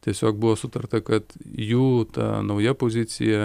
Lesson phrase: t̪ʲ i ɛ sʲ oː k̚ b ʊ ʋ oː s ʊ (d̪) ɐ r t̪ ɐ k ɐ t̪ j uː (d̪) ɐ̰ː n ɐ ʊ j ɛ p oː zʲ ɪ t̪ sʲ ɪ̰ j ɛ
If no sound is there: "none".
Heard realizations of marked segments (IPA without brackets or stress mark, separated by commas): t̪, t̪